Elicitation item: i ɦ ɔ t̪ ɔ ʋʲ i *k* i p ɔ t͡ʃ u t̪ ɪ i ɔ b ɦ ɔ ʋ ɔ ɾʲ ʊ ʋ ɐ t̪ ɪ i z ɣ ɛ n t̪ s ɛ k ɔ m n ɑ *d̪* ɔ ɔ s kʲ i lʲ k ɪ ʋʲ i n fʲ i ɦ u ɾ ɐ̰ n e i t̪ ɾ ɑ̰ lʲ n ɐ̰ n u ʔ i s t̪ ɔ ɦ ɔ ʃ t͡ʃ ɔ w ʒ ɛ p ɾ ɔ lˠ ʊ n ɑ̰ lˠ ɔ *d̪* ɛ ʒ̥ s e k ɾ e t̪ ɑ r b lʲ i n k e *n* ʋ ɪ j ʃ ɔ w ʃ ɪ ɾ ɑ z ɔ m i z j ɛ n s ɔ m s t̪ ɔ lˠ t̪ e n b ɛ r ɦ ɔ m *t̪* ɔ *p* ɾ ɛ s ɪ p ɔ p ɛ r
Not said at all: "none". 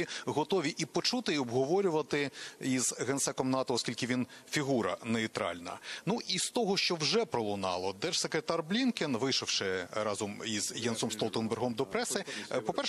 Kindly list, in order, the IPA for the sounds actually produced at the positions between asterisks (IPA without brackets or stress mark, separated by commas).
ʔ, t̪, d̪, n, d̪, p